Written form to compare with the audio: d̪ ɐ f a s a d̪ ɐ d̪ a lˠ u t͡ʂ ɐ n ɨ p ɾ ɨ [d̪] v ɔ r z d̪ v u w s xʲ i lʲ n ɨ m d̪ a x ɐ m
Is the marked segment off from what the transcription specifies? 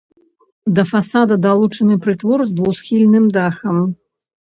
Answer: yes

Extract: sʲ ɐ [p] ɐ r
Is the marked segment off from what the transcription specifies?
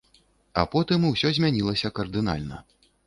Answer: yes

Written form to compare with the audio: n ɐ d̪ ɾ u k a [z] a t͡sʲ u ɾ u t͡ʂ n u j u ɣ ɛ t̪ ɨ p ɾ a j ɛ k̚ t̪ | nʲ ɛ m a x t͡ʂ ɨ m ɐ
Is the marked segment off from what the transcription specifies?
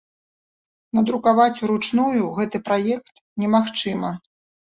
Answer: yes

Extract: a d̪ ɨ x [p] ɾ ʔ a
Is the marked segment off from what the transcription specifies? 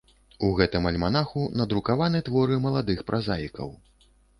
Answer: no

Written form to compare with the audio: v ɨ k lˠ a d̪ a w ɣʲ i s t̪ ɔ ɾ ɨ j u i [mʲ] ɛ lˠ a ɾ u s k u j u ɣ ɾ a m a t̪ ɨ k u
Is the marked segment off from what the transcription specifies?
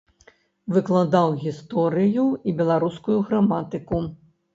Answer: yes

